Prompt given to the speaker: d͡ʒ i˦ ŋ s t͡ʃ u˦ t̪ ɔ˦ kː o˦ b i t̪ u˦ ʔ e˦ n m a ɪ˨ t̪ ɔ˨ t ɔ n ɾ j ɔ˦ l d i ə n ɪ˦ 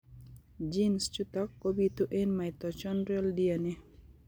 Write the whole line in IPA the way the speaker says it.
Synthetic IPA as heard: d͡ʒ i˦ n s t͡ʃ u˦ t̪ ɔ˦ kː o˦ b i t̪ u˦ ʔ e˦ n m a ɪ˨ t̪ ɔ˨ t͡ʃ ɔ n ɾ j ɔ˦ l d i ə n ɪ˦